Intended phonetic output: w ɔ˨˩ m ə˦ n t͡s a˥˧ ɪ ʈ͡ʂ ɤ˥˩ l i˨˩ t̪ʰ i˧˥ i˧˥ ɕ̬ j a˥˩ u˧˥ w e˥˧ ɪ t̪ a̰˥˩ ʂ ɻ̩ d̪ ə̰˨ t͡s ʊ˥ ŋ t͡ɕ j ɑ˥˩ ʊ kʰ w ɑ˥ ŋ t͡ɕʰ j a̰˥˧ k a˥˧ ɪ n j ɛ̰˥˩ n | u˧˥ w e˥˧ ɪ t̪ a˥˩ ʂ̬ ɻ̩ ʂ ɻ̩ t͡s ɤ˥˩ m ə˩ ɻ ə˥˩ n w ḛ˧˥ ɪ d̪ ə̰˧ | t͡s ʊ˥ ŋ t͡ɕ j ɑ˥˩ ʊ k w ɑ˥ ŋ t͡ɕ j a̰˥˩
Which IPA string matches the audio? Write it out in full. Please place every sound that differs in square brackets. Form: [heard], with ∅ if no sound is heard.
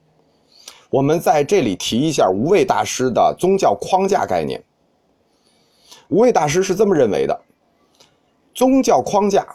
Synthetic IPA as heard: w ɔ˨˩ m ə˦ n t͡s a˥˧ ɪ ʈ͡ʂ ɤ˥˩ l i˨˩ t̪ʰ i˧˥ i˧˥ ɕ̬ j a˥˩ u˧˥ w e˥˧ ɪ t̪ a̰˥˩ ʂ ɻ̩ d̪ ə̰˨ t͡s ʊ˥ ŋ t͡ɕ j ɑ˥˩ ʊ kʰ w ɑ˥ ŋ [t͡ɕ] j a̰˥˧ k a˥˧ ɪ n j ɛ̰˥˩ n | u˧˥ w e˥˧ ɪ t̪ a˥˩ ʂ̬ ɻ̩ ʂ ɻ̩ t͡s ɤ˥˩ m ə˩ ɻ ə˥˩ n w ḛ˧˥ ɪ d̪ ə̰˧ | t͡s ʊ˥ ŋ t͡ɕ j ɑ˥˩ ʊ [kʰ] w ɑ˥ ŋ t͡ɕ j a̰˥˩